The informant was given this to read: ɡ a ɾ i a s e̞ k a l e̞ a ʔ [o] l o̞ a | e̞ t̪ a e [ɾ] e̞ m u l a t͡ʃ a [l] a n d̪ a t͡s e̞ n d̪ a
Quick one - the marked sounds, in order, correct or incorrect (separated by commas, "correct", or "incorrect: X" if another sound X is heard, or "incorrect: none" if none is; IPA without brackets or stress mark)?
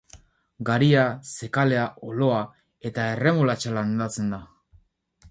correct, incorrect: r, correct